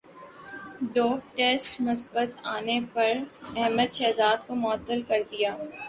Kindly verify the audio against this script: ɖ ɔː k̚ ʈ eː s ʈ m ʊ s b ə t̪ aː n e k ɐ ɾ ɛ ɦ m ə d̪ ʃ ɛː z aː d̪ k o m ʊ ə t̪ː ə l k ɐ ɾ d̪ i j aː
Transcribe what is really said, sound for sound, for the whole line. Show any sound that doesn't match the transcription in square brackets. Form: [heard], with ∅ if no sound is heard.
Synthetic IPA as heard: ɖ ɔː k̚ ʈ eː s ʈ m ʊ s b ə t̪ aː n e [p] ɐ ɾ ɛ ɦ m ə d̪ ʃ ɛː z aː d̪ k o m ʊ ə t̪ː ə l k ɐ ɾ d̪ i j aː